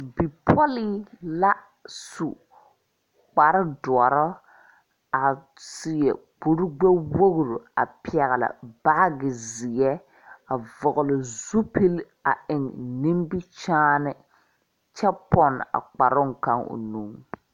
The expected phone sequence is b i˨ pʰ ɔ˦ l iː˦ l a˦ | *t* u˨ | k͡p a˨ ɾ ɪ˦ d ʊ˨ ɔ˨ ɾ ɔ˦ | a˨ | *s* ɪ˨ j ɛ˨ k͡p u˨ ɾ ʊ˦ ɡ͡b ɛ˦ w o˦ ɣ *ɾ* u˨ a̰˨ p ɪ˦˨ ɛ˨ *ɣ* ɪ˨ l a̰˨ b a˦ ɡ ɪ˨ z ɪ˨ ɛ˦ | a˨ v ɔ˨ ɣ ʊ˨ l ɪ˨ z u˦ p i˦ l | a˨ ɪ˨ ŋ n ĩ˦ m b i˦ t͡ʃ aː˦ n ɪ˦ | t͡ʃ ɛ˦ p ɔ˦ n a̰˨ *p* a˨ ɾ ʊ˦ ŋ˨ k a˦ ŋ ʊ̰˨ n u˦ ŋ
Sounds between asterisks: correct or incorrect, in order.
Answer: incorrect, correct, correct, correct, incorrect

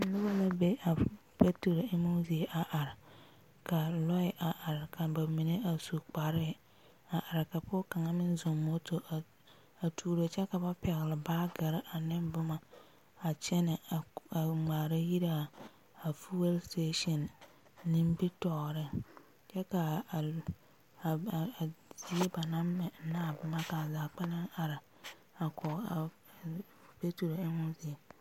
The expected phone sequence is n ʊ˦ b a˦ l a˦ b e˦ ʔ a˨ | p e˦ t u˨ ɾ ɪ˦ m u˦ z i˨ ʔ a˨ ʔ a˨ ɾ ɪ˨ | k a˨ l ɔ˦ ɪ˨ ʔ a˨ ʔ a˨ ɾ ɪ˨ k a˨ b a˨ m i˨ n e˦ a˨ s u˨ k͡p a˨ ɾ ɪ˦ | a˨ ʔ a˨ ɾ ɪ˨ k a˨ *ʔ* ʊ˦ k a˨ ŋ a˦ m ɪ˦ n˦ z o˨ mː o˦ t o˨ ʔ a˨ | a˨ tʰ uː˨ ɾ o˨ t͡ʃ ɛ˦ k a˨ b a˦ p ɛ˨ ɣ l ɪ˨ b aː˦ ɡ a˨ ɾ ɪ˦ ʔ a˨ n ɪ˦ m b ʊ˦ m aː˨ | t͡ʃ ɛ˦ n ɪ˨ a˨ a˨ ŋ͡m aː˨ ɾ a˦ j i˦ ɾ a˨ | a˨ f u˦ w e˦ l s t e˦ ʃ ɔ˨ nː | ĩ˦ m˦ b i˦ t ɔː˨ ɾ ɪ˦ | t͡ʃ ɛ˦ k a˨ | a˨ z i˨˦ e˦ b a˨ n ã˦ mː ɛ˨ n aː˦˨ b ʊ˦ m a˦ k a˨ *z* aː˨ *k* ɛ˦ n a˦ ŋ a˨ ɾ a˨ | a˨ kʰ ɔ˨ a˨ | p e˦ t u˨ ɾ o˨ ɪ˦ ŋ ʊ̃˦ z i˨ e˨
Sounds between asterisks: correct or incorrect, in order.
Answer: incorrect, correct, incorrect

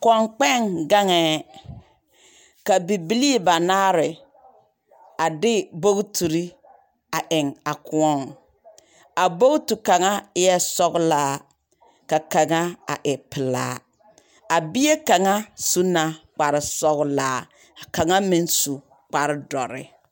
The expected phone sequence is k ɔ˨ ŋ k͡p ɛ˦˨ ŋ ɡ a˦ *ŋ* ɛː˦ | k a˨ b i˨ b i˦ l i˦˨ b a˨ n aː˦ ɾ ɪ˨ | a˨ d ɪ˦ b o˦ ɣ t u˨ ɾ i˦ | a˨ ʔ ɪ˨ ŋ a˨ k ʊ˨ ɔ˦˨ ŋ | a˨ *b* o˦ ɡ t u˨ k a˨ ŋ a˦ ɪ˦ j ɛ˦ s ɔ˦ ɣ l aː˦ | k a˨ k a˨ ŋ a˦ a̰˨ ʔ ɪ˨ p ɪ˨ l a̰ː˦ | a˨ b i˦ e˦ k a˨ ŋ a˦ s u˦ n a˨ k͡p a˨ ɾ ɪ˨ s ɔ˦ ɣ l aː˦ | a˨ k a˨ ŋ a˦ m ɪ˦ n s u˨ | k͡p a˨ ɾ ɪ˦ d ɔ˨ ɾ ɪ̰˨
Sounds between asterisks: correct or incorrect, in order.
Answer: correct, correct

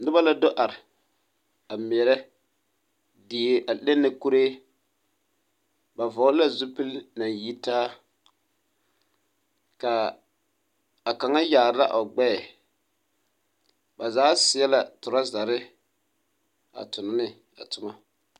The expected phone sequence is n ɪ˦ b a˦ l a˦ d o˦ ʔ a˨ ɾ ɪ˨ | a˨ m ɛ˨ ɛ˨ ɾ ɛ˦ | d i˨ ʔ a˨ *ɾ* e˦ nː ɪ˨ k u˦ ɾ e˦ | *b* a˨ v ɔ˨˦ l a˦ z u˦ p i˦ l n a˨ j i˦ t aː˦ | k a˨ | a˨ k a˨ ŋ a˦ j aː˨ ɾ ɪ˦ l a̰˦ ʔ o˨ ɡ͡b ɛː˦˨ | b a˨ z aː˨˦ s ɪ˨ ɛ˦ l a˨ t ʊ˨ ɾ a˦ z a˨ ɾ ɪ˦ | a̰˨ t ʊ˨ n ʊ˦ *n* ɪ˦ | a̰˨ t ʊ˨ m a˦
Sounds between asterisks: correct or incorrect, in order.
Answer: incorrect, correct, correct

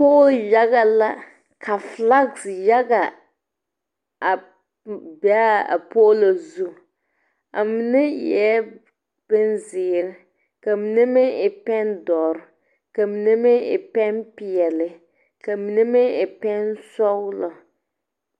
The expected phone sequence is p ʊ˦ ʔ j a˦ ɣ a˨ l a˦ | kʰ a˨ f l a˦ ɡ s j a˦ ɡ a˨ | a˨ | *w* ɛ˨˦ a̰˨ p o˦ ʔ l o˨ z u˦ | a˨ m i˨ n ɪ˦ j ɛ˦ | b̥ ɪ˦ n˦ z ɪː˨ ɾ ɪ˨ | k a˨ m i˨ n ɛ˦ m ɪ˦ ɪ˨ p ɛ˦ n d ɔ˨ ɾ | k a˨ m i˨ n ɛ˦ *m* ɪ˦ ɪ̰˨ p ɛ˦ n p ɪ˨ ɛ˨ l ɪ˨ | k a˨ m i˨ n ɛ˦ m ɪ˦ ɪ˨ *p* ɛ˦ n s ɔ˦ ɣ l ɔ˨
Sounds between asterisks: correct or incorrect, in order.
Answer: incorrect, correct, correct

